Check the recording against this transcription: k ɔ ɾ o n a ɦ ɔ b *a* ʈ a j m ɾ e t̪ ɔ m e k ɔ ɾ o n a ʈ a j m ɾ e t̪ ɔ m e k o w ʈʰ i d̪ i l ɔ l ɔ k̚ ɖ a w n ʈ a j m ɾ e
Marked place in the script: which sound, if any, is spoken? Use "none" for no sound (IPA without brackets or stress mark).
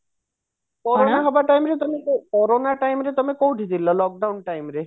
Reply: a